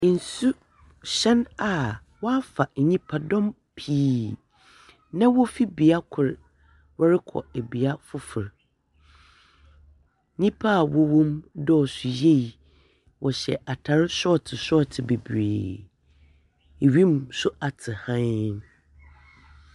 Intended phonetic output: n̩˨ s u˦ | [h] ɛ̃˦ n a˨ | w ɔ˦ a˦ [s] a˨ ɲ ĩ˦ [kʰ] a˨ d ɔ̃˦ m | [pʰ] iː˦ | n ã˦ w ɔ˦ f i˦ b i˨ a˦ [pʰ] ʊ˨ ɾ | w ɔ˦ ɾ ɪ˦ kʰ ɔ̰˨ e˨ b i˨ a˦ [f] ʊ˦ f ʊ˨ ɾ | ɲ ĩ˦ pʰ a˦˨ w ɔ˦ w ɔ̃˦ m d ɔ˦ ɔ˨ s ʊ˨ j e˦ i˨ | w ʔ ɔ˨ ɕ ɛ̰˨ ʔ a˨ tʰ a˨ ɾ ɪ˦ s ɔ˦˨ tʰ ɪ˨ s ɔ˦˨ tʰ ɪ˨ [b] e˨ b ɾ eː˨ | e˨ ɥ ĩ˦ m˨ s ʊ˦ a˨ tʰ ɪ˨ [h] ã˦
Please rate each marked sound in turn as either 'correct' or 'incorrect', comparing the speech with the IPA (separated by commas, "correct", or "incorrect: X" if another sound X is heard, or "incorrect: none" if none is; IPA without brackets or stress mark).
incorrect: ɕ, incorrect: f, incorrect: pʰ, correct, incorrect: kʰ, correct, correct, correct